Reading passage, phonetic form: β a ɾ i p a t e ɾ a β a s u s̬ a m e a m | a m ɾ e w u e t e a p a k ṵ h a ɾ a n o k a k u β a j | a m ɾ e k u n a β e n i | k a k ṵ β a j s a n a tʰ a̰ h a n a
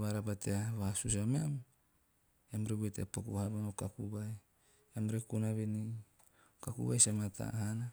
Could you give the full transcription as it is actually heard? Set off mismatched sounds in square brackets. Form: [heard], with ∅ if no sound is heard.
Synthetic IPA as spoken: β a ɾ [a] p a t e [∅] a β a s u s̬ a m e a m | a m ɾ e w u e t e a p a k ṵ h a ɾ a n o k a k u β a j | a m ɾ e k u n a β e n i | k a k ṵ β a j s a [m] a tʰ a̰ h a n a